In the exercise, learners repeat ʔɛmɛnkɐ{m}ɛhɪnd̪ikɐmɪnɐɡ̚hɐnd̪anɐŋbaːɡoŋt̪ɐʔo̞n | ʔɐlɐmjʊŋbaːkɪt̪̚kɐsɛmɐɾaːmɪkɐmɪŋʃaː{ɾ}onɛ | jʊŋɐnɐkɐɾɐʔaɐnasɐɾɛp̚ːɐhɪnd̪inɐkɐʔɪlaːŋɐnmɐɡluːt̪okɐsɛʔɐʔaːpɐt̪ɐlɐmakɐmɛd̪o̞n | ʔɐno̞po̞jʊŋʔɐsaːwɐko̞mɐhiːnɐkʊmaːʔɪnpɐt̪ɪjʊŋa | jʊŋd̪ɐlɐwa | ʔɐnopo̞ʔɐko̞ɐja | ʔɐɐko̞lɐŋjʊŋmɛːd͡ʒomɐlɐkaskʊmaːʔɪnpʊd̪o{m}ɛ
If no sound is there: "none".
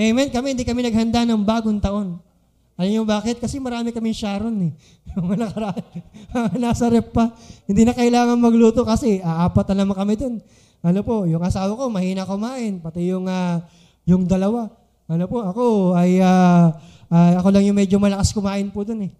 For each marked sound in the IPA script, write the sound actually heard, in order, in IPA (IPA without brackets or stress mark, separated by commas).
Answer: m, ɾ, n